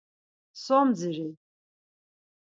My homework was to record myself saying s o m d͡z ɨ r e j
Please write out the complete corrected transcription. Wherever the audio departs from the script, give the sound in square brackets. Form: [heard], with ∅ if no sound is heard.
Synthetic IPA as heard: s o m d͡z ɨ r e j